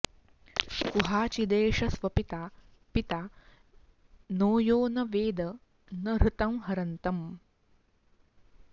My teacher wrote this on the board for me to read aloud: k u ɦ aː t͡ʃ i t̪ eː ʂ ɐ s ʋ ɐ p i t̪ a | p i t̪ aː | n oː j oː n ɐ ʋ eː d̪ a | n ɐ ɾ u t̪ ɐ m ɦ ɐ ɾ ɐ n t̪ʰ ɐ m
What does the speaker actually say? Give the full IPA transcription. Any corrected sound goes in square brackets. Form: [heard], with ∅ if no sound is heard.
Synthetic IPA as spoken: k u ɦ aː t͡ʃ i [d̪] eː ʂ ɐ s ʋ ɐ p i t̪ a | p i t̪ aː | n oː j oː n ɐ ʋ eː d̪ [ɐ] | n ɐ ɾ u t̪ ɐ m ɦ ɐ ɾ ɐ n [t̪] ɐ m